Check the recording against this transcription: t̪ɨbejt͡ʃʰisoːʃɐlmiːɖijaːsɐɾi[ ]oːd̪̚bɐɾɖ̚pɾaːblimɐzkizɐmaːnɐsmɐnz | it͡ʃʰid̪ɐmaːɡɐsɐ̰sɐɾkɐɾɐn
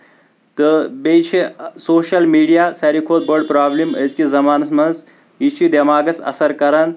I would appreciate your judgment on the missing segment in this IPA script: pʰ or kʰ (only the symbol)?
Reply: kʰ